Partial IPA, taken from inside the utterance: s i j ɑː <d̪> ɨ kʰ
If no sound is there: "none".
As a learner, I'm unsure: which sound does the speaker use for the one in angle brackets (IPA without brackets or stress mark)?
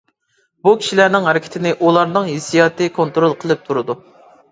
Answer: t̪